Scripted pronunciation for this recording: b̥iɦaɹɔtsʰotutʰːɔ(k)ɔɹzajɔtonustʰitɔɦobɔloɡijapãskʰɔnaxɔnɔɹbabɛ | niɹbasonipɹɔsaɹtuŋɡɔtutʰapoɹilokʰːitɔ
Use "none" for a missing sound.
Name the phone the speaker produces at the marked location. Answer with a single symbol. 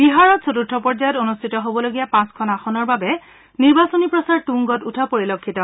p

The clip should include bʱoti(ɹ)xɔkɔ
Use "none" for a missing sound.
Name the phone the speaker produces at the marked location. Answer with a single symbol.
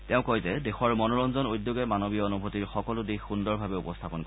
ɹ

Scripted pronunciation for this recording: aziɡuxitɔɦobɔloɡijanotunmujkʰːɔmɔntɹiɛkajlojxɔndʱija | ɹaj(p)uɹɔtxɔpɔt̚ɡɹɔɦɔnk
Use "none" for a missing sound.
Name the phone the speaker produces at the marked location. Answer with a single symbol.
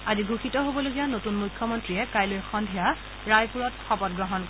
p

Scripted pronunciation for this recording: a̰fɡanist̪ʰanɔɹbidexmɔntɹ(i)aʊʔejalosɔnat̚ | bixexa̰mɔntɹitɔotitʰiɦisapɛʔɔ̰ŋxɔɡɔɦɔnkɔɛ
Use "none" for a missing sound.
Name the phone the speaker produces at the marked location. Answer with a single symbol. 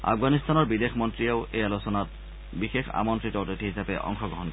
i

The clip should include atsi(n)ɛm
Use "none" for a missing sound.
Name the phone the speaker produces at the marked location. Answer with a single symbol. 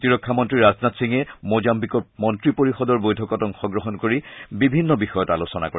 ŋ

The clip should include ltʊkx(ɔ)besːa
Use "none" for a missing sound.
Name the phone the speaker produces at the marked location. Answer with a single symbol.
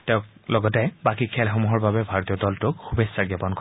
u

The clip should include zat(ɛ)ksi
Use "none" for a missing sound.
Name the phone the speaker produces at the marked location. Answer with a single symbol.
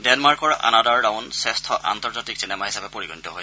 i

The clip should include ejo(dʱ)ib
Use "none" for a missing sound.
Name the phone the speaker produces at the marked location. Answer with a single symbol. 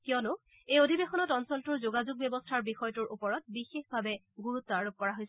dʱ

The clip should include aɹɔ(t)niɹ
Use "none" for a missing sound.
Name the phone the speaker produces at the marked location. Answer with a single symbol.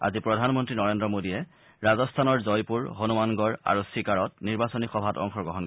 t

